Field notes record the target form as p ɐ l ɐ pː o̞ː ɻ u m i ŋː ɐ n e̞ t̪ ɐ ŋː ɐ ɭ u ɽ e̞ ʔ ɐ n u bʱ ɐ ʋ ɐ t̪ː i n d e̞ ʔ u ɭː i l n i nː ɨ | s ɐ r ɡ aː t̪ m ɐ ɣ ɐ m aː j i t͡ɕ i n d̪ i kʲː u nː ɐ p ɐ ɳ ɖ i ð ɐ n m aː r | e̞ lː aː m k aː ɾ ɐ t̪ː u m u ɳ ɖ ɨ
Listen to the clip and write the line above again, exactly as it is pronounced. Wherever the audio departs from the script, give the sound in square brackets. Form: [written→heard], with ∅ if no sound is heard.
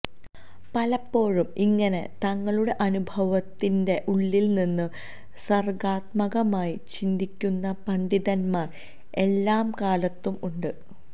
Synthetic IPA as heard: p ɐ l ɐ pː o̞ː ɻ u m i ŋː ɐ n e̞ t̪ ɐ ŋː ɐ ɭ u ɽ e̞ ʔ ɐ n u bʱ ɐ ʋ ɐ t̪ː i n d e̞ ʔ u ɭː i l n i nː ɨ | s ɐ r ɡ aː t̪ m ɐ ɣ ɐ m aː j i t͡ɕ i n d̪ i kʲː u nː ɐ p ɐ ɳ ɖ i ð ɐ n m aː r | e̞ lː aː m k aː [ɾ→l] ɐ t̪ː u m u ɳ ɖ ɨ

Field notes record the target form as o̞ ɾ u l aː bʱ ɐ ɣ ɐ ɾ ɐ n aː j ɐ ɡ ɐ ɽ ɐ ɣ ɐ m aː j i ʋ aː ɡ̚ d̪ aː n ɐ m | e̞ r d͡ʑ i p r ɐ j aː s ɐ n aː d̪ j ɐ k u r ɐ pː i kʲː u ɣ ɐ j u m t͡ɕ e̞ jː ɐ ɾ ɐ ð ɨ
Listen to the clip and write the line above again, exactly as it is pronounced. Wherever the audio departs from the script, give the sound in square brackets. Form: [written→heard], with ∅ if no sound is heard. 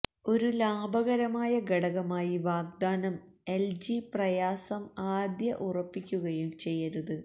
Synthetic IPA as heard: o̞ ɾ u l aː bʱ ɐ ɣ ɐ ɾ ɐ [n→m] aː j ɐ ɡ ɐ ɽ ɐ ɣ ɐ m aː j i ʋ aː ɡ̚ d̪ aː n ɐ m | e̞ [r→l] d͡ʑ i p r ɐ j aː s ɐ [n→m] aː d̪ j ɐ [k→ʔ] u r ɐ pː i kʲː u ɣ ɐ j u m t͡ɕ e̞ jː ɐ ɾ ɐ ð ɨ

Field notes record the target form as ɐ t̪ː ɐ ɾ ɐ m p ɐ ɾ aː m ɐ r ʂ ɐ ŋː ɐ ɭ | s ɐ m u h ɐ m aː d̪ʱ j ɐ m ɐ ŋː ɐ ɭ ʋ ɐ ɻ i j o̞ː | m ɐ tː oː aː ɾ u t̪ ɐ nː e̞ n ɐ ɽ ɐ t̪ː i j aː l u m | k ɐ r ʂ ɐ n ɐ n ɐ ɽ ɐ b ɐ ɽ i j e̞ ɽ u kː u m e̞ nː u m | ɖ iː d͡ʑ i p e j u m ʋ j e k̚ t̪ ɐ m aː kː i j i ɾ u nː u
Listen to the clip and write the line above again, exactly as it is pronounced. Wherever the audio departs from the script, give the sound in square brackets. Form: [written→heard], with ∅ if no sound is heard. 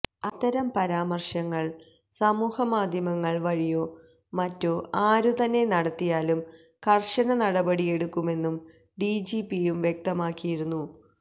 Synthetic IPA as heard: ɐ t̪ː ɐ ɾ ɐ m p ɐ ɾ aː m ɐ r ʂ ɐ ŋː ɐ ɭ | s ɐ m [u→uː] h ɐ m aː d̪ʱ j ɐ m ɐ ŋː ɐ ɭ ʋ ɐ ɻ i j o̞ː | m ɐ tː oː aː ɾ u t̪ ɐ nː e̞ n ɐ ɽ ɐ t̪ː i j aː l u m | k ɐ r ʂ ɐ n ɐ n ɐ ɽ ɐ b ɐ ɽ i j e̞ ɽ u kː u m e̞ nː u m | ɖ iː d͡ʑ i p [e→i] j u m ʋ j e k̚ t̪ ɐ m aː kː i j i ɾ u nː u

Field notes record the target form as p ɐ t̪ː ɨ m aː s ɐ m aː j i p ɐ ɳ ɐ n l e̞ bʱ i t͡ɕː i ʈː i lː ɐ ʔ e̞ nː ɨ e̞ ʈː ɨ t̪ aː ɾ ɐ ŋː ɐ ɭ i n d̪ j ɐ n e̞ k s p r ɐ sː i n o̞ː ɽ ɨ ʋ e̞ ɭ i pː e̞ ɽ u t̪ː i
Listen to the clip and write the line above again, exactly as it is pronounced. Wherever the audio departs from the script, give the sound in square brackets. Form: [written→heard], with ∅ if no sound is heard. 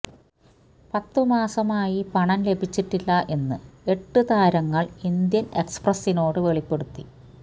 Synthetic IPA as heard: p ɐ t̪ː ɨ m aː s ɐ m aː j i p ɐ ɳ ɐ n l e̞ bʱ i t͡ɕː i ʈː i lː ɐ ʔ e̞ nː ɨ e̞ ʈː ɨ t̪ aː ɾ ɐ ŋː ɐ ɭ i n d̪ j ɐ n e̞ k s p r ɐ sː i n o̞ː ɽ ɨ ʋ e̞ ɭ i pː e̞ ɽ u t̪ː i

